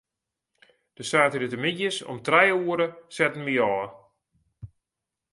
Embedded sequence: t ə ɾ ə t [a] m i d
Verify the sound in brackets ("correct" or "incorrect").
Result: incorrect